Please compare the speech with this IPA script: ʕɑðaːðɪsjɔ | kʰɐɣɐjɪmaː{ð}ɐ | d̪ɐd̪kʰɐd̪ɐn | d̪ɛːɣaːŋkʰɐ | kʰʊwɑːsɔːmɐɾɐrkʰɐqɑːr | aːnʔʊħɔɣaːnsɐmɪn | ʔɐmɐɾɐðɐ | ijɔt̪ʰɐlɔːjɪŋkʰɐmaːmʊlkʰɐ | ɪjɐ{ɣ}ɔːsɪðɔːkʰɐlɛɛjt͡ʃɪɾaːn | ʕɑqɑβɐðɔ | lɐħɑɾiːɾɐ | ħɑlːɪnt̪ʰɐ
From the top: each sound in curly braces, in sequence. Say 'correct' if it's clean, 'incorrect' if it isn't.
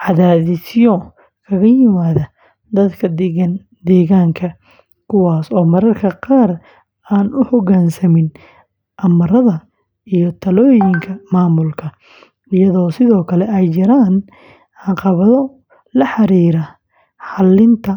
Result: correct, incorrect: ð

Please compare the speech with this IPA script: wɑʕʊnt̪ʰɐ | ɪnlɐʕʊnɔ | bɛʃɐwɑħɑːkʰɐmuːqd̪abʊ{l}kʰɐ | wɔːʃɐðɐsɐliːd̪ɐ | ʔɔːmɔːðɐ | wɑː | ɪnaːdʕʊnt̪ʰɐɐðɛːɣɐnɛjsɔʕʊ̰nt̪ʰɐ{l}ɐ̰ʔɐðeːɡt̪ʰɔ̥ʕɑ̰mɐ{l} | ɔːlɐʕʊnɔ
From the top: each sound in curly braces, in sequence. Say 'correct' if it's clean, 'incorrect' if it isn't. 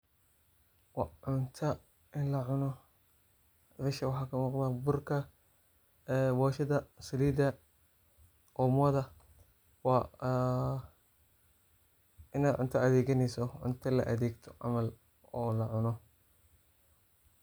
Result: incorrect: r, correct, correct

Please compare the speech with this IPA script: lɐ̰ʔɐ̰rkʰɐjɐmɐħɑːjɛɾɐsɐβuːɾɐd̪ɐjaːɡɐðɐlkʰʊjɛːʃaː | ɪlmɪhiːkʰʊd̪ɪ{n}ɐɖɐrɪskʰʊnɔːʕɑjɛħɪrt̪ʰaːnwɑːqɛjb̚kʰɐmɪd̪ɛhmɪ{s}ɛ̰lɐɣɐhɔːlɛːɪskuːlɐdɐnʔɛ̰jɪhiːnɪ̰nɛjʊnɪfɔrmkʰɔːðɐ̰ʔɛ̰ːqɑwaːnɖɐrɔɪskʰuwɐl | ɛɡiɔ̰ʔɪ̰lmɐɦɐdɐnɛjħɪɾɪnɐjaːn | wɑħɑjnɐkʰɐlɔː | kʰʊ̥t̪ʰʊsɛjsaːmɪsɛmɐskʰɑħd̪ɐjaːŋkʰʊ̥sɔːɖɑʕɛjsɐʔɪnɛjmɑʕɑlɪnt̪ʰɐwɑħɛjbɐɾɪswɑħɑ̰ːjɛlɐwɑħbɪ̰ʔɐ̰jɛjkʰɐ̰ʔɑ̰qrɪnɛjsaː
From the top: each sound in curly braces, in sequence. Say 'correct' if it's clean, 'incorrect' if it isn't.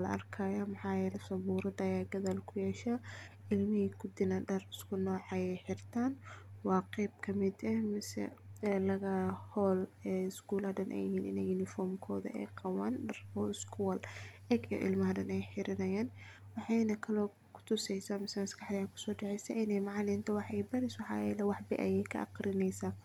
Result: correct, correct

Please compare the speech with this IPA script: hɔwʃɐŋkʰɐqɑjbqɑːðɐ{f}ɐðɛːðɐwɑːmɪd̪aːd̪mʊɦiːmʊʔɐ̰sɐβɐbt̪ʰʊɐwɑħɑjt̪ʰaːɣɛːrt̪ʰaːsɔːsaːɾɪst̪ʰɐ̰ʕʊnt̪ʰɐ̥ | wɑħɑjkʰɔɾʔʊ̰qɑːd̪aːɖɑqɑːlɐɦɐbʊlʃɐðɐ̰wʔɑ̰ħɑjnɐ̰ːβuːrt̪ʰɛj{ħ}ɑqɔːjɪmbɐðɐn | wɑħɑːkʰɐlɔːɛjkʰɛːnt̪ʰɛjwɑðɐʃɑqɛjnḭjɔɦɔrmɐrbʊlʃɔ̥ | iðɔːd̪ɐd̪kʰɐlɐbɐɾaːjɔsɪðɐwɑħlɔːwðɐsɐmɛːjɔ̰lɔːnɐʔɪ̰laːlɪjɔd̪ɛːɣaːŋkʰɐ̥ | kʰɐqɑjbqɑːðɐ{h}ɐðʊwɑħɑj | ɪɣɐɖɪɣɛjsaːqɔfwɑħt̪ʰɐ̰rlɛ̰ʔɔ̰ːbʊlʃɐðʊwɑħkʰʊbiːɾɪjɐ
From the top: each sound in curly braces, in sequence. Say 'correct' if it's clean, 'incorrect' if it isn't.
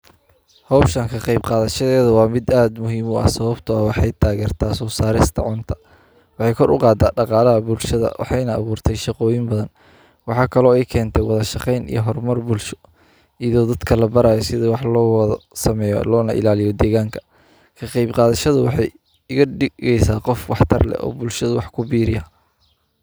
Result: incorrect: ʃ, incorrect: ʃ, incorrect: ʃ

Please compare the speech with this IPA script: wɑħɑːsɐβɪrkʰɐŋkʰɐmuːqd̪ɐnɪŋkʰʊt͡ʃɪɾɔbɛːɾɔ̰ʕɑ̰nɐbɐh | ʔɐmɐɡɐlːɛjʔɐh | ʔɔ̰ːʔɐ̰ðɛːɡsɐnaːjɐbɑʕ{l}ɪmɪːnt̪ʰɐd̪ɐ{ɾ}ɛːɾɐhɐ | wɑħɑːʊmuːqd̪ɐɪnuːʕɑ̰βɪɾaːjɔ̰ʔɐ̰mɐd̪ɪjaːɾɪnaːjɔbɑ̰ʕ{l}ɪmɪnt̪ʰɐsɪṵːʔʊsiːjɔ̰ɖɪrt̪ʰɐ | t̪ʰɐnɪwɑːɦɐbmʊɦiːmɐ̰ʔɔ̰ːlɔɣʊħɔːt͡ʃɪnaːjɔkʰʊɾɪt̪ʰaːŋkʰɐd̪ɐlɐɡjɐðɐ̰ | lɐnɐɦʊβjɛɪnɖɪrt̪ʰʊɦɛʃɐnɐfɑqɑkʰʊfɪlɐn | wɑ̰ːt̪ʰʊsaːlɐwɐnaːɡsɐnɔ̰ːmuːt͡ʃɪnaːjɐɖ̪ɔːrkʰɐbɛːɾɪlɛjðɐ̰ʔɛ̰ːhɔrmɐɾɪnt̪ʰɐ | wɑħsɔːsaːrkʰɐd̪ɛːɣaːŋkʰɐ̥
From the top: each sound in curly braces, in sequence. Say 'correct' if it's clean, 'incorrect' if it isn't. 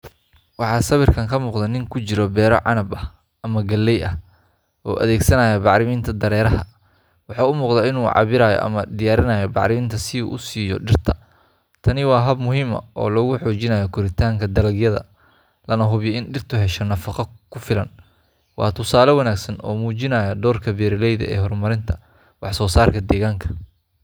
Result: incorrect: ɾ, correct, incorrect: ɾ

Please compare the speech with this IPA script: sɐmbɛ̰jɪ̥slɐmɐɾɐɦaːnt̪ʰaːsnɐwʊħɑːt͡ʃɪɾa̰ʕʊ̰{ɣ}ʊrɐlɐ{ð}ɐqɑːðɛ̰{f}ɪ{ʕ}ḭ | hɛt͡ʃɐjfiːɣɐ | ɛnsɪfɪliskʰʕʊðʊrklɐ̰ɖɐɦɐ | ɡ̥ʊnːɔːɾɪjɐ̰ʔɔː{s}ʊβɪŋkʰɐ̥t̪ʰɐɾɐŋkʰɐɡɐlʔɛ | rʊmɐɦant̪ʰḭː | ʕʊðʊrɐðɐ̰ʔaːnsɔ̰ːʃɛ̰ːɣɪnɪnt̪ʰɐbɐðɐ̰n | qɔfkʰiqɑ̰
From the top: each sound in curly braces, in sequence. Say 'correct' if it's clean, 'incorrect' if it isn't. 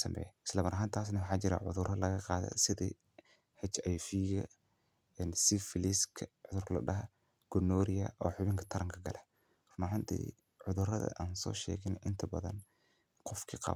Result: incorrect: ð, incorrect: ɣ, incorrect: s, incorrect: ð, incorrect: ħ

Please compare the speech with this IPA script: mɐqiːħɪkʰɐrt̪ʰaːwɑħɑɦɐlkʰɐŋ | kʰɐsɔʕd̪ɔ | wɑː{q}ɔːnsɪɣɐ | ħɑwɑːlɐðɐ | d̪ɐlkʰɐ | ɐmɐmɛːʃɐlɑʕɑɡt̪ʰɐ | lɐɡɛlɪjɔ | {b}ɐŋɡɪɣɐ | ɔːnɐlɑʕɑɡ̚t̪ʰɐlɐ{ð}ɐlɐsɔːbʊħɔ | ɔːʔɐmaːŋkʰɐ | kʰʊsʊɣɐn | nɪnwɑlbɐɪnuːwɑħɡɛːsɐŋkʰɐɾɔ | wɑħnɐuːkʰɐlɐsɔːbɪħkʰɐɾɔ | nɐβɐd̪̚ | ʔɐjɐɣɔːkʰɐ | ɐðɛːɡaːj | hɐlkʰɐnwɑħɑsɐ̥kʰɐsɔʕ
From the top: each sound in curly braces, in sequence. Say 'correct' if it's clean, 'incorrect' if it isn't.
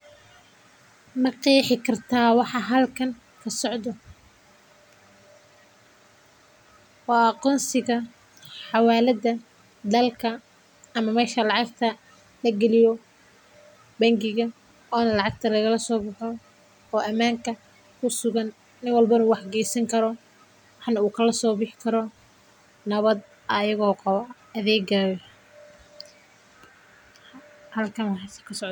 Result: correct, correct, incorrect: ɣ

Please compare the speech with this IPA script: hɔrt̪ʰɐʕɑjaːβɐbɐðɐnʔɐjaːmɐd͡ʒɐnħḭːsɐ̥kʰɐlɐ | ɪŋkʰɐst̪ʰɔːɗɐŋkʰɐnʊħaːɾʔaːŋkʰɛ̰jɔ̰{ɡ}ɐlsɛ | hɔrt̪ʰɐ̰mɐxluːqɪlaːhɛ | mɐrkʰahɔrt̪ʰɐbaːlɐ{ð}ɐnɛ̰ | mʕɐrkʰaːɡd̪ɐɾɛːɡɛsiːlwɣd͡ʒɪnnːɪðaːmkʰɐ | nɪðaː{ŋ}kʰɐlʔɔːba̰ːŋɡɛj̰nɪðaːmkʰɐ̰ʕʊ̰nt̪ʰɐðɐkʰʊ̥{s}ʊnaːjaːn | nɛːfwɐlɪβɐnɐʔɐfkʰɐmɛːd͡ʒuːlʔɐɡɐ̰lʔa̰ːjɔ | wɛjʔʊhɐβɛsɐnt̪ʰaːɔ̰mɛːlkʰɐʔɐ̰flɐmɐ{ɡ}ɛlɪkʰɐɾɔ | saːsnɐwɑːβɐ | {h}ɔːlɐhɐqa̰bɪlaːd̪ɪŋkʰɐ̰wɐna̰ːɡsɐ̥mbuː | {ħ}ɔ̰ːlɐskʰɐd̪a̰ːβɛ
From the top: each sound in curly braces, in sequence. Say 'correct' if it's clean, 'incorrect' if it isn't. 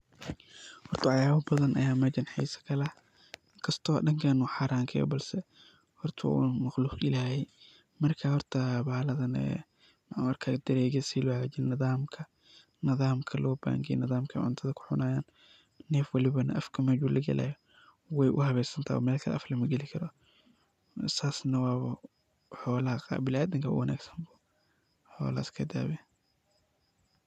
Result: incorrect: b, correct, incorrect: m, incorrect: ħ, correct, incorrect: ħ, correct

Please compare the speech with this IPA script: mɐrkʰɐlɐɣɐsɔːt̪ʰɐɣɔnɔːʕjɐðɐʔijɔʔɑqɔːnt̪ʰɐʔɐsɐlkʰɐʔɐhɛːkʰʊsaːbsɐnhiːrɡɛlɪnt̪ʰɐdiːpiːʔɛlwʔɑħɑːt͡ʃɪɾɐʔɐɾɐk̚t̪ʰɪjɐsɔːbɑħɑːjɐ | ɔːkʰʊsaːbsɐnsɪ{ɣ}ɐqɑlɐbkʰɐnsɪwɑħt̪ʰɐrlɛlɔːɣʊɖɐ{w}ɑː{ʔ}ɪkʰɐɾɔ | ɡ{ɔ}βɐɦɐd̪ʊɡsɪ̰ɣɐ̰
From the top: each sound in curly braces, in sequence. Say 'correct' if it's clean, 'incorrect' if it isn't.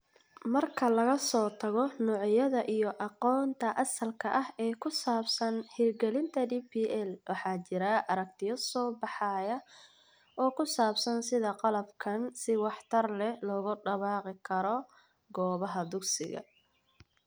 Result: incorrect: ð, incorrect: β, incorrect: q, incorrect: ɔː

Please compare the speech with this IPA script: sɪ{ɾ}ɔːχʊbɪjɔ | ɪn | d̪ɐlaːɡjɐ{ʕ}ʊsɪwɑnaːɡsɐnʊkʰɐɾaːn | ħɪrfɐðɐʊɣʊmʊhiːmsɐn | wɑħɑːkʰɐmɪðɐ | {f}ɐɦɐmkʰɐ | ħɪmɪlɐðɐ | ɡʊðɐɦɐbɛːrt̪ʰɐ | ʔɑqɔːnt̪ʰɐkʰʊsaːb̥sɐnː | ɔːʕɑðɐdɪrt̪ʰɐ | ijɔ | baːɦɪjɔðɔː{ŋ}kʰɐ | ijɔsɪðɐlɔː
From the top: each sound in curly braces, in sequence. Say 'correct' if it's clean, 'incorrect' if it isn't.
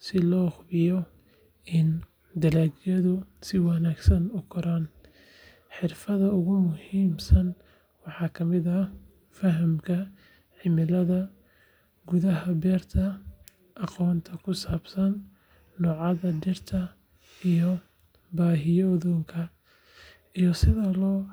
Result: incorrect: l, incorrect: ð, correct, correct

